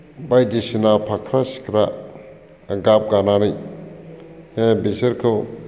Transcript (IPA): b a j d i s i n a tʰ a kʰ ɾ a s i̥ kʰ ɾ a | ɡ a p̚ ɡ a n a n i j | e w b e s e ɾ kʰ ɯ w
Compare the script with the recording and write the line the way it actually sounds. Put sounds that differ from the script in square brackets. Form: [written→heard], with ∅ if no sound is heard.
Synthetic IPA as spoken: b a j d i s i n a [tʰ→pʰ] a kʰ ɾ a s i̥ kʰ ɾ a | ɡ a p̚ ɡ a n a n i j | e [w→∅] b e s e ɾ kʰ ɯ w